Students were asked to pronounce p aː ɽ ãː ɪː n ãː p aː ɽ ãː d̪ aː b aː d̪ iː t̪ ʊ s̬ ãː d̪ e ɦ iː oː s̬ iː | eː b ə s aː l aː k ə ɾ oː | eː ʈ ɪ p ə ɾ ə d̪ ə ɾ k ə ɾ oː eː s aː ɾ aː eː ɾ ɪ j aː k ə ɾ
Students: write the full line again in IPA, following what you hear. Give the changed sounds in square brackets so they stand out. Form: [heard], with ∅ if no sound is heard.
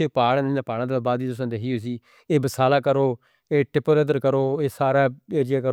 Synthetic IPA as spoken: p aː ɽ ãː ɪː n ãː p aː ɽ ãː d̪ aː b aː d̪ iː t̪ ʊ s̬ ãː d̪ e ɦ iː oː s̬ iː | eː b ə s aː l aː k ə ɾ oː | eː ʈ ɪ p ə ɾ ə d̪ ə ɾ k ə ɾ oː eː s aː ɾ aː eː ɾ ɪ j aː k ə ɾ